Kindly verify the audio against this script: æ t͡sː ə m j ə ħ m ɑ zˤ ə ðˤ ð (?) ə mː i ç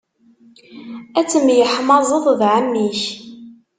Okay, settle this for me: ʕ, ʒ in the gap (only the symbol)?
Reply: ʕ